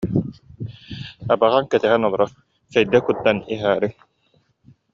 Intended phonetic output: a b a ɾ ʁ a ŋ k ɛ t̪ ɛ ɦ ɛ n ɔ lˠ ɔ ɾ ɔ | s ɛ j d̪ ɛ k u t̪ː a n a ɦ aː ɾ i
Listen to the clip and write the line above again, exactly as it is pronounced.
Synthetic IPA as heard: a b a ʁ a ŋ k ɛ t̪ ɛ ɦ ɛ n ɔ lˠ ɔ ɾ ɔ | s ɛ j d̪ ɛ k u t̪ː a n i ɦ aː ɾ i